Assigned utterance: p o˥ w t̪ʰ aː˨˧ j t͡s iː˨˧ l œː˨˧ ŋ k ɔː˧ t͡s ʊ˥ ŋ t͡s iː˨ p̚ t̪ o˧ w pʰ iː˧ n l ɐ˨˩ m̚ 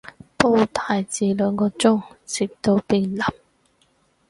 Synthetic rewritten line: p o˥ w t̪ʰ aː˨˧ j t͡s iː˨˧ l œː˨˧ ŋ k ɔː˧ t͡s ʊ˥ ŋ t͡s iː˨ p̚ t̪ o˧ w p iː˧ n l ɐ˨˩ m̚